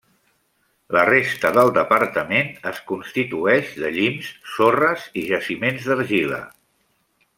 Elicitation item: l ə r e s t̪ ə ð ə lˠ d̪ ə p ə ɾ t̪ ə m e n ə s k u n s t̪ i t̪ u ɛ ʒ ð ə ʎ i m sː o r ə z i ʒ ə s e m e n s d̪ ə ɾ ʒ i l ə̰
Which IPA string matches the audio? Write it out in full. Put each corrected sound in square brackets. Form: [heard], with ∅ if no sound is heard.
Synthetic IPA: l ə r e s t̪ ə ð ə lˠ d̪ ə p ə ɾ t̪ ə m e n ə s k u n s t̪ i t̪ u ɛ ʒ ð ə ʎ i m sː o r ə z i ʒ ə s [i] m e n [z] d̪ ə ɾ ʒ i l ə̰